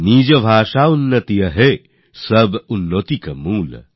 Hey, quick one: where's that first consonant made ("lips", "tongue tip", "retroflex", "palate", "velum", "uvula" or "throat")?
tongue tip